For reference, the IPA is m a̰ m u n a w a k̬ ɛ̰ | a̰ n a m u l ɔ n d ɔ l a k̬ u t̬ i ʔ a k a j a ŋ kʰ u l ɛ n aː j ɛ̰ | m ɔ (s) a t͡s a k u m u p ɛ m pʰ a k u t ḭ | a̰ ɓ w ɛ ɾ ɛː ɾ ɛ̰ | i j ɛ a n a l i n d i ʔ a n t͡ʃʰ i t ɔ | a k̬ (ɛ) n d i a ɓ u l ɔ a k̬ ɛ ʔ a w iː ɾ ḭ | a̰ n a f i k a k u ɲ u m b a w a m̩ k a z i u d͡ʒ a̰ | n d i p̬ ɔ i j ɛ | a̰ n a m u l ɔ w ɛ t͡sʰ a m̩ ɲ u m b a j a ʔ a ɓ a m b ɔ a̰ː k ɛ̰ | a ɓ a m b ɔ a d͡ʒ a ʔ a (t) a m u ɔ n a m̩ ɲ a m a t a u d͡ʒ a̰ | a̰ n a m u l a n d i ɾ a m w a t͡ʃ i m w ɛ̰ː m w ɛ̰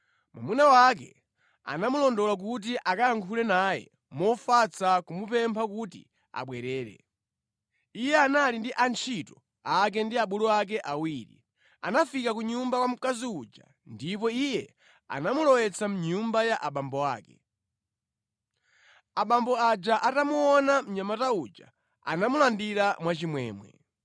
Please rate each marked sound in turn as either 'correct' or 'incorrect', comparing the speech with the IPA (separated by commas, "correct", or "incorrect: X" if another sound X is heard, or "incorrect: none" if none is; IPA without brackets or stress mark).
incorrect: f, correct, correct